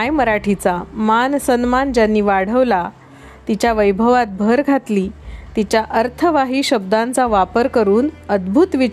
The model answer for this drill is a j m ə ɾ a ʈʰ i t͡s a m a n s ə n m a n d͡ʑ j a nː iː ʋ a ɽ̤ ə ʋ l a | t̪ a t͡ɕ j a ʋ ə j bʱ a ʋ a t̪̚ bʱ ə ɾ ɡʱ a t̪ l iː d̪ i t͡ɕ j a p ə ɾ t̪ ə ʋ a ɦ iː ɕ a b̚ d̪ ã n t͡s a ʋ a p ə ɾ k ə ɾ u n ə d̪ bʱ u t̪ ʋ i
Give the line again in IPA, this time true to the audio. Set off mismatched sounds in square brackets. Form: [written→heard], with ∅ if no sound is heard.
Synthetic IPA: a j m ə ɾ a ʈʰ i t͡s a m a n s ə n m a n d͡ʑ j a nː iː ʋ a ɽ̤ ə ʋ l a | t̪ [a→i] t͡ɕ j a ʋ ə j bʱ [a→ə] ʋ a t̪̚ bʱ ə ɾ ɡʱ a t̪ l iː [d̪→t̪] i t͡ɕ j a [p→ʔ] ə ɾ [t̪→t̪ʰ] ə ʋ a ɦ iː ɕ [a→ə] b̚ d̪ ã n t͡s a ʋ a p ə ɾ k ə ɾ [u→uː] n ə d̪ bʱ u t̪ ʋ i